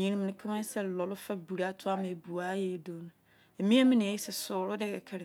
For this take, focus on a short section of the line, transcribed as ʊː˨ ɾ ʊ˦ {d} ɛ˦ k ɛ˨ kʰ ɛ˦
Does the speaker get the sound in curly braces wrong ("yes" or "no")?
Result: no